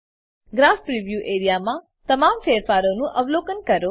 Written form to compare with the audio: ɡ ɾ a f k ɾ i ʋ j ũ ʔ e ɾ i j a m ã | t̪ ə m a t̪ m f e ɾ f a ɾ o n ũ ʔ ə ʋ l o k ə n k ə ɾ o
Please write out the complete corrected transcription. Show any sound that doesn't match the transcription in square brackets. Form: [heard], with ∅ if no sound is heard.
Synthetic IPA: ɡ ɾ a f [p] ɾ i ʋ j [u] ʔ e ɾ i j a m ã | t̪ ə m a [∅] m f e ɾ f a ɾ o n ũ ʔ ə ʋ l o k ə n k ə ɾ o